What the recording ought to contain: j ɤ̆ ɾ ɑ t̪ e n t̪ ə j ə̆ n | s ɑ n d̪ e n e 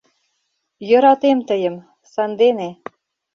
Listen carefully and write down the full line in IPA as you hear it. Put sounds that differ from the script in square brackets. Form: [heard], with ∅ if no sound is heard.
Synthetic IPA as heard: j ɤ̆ ɾ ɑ t̪ e [m] t̪ ə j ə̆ [m] | s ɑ n d̪ e n e